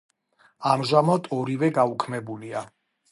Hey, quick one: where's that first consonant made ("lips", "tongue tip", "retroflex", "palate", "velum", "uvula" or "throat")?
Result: lips